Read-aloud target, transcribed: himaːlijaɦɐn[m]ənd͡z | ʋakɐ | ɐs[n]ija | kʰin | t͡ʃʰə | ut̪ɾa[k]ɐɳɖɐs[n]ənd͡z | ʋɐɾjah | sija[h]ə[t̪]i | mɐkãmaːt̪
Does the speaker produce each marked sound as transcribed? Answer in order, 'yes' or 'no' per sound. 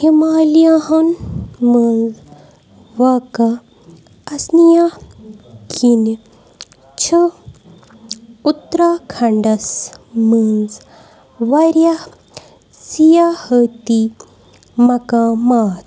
yes, yes, no, no, yes, yes

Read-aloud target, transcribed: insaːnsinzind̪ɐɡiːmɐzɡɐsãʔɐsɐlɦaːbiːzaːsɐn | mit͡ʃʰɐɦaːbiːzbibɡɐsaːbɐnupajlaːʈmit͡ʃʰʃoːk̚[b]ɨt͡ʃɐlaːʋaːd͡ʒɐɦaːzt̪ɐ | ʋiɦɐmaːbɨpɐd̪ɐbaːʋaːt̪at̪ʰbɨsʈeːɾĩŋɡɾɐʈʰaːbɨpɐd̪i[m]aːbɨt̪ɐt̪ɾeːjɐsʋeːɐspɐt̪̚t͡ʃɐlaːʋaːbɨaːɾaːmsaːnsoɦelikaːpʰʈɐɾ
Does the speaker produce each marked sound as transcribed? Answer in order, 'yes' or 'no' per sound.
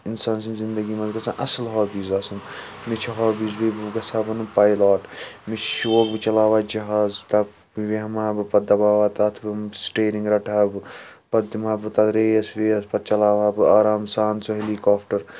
yes, yes

